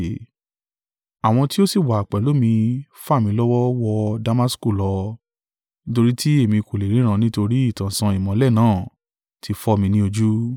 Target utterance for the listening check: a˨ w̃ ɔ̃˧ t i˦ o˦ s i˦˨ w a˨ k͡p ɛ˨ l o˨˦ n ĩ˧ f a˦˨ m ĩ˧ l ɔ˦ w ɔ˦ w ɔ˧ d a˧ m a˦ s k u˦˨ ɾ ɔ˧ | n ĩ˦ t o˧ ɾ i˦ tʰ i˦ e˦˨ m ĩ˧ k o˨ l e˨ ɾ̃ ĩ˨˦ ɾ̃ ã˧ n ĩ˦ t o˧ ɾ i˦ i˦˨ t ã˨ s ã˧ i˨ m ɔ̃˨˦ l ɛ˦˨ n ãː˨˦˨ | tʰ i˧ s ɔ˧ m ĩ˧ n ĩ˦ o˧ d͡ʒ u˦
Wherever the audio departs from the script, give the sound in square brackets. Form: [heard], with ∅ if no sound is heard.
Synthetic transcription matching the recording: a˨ w̃ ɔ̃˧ t i˦ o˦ s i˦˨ w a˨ k͡p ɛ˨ l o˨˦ [m] ĩ˧ f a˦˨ m ĩ˧ l ɔ˦ w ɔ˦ w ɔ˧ d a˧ m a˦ s k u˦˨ [l] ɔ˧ | n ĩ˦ t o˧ ɾ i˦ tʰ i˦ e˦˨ m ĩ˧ k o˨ l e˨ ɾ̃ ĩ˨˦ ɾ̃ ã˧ n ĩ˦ t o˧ ɾ i˦ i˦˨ t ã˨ s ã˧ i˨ m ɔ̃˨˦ l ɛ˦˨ n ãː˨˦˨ | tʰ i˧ [f] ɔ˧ m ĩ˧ n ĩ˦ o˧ d͡ʒ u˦